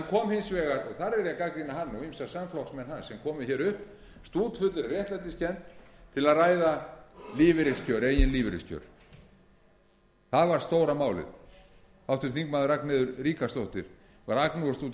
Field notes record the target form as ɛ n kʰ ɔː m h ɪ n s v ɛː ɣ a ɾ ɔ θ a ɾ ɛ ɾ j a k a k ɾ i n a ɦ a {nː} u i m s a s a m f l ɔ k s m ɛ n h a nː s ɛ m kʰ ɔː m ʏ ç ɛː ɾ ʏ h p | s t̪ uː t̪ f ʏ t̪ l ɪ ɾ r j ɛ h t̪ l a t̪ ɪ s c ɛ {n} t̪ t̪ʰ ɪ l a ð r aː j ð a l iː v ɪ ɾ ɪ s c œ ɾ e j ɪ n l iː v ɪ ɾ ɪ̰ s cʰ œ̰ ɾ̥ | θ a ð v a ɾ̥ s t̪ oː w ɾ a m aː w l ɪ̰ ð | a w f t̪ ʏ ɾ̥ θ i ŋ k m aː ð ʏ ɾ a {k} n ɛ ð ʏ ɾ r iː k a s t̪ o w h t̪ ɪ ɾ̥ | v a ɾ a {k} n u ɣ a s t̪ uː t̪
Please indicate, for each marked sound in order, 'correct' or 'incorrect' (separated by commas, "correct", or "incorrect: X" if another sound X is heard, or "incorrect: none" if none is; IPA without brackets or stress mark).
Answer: correct, correct, correct, correct